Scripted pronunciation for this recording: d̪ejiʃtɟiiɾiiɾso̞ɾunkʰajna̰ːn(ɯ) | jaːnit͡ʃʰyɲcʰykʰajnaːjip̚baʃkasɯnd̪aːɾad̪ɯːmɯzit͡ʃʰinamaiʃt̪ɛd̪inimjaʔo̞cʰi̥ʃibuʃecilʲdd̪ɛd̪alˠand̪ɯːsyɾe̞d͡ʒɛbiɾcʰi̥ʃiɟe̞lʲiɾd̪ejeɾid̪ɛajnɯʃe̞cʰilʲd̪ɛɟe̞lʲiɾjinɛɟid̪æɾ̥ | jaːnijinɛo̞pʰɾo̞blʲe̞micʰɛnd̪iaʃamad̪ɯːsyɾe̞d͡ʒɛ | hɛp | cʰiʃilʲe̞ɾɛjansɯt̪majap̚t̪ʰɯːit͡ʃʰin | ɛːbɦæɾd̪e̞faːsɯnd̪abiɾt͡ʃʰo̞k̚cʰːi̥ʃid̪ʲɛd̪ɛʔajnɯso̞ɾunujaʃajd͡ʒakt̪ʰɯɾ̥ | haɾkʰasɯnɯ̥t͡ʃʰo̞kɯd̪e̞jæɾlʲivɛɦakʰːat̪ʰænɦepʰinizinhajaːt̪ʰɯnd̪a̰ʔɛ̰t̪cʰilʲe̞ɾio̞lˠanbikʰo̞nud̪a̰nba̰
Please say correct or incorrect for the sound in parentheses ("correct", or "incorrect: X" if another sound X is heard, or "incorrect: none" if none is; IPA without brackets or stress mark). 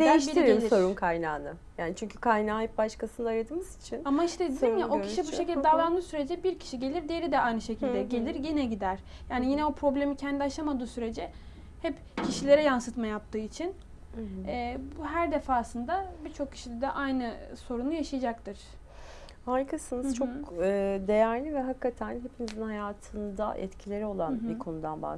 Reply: correct